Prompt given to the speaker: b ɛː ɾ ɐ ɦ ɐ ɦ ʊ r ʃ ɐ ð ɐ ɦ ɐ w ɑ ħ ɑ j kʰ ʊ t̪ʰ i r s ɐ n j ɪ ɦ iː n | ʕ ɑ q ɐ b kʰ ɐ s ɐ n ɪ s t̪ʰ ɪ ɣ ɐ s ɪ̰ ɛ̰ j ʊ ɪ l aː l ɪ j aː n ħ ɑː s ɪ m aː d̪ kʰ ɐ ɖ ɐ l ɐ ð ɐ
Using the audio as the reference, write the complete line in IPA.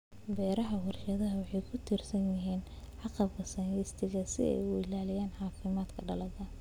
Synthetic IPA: b ɛː ɾ ɐ ɦ ɐ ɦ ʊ r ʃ ɐ ð ɐ ɦ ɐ w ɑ ħ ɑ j kʰ ʊ t̪ʰ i r s ɐ n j ɪ ɦ iː n | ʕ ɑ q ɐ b kʰ ɐ s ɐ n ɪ s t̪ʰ ɪ ɣ ɐ s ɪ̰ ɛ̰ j ʊ ɪ l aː l ɪ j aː n ħ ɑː f ɪ m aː d̪ kʰ ɐ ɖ ɐ l ɐ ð ɐ

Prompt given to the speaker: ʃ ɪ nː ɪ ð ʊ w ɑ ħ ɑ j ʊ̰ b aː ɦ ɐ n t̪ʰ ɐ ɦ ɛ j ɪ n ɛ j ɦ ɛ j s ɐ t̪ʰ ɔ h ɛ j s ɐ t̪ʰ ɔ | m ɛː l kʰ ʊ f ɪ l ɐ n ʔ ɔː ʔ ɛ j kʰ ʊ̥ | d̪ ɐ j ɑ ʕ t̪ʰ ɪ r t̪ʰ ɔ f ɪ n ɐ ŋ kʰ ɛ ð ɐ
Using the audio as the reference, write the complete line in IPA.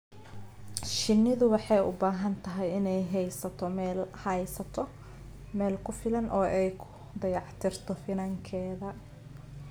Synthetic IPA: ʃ ɪ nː ɪ ð ʊ w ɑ ħ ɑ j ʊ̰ b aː ɦ ɐ n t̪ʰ ɐ ɦ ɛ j ɪ n ɛ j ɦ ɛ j s ɐ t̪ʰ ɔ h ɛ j s ɐ t̪ʰ ɔ | m ɛː l kʰ ʊ f ɪ l ɐ n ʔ ɔː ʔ ɛ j kʰ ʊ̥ | d̪ ɐ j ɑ ʕ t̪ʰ ɪ r t̪ʰ ɔ f ɪ n ɐ ŋ kʰ ɛː ð ɐ

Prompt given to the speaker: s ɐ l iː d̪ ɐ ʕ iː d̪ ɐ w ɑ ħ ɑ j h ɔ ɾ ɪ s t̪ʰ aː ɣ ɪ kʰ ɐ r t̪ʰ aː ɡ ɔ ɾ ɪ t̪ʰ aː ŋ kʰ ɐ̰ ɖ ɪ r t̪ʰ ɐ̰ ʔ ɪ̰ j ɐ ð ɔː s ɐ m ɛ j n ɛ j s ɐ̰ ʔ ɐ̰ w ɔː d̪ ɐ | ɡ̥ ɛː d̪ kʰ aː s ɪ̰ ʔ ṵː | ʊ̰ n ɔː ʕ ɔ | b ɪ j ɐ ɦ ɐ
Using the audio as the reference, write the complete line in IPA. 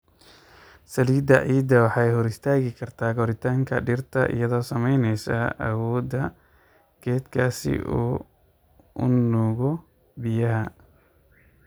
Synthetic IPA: s ɐ l iː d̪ ɐ ʕ iː d̪ ɐ w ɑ ħ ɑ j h ɔ ɾ ɪ s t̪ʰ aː ɣ ɪ kʰ ɐ r t̪ʰ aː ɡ ɔ ɾ ɪ t̪ʰ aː ŋ kʰ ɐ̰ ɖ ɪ r t̪ʰ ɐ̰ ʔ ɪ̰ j ɐ ð ɔː s ɐ m ɛ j n ɛ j s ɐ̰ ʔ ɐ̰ w ɔː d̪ ɐ | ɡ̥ ɛː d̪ kʰ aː s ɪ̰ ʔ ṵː | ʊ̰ n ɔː ɣ ɔ | b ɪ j ɐ ɦ ɐ

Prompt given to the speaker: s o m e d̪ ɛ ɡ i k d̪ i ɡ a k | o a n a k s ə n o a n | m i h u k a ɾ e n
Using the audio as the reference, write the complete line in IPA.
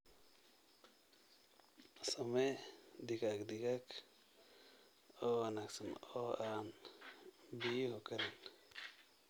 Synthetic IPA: s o m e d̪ i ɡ a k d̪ i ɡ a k | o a n a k s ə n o a n | b i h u k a ɾ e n

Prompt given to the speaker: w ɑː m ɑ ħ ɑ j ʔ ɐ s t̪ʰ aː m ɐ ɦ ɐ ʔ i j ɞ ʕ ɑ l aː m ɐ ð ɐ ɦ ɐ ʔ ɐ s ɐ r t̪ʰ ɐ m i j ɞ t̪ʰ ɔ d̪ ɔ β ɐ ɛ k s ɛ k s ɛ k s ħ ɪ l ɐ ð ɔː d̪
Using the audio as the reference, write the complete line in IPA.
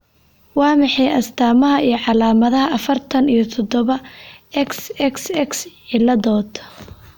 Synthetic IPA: w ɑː m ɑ ħ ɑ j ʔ ɐ s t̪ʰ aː m ɐ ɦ ɐ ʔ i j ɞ ʕ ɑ l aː m ɐ ð ɐ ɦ ɐ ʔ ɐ f ɐ r t̪ʰ ɐ n i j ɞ t̪ʰ ɔ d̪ ɔ β ɐ ɛ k s ɛ k s ɛ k s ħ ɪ l ɐ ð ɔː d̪

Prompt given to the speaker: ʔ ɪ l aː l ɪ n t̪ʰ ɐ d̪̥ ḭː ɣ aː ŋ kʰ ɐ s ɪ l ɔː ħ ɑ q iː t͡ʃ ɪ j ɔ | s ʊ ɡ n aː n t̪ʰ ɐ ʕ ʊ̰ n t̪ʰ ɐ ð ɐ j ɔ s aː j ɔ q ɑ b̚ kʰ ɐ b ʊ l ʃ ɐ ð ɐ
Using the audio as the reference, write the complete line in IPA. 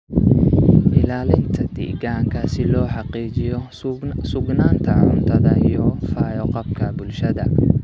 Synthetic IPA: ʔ ɪ l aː l ɪ n t̪ʰ ɐ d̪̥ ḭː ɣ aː ŋ kʰ ɐ s ɪ l ɔː ħ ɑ q iː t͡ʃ ɪ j ɔ | s ʊ ɡ n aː n t̪ʰ ɐ ʕ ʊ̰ n t̪ʰ ɐ ð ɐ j ɔ f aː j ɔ q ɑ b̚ kʰ ɐ b ʊ l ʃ ɐ ð ɐ

